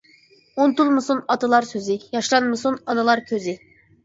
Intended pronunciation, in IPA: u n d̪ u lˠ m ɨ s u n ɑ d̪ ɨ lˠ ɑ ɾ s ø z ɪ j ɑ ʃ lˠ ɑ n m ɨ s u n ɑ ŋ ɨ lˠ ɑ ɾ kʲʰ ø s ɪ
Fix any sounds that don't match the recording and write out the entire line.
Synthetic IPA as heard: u n t̪ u lˠ m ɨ s u n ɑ t̪ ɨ lˠ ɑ ɾ s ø z ɪ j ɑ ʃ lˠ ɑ n m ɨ s u n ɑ n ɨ lˠ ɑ ɾ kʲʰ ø z ɪ